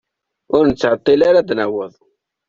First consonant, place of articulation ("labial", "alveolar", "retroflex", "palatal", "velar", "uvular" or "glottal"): alveolar